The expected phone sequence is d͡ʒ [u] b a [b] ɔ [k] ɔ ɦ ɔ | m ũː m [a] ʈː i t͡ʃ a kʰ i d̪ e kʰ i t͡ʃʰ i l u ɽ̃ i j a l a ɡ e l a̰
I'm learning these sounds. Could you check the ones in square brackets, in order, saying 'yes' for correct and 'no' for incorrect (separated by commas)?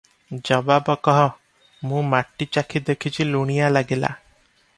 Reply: no, yes, yes, yes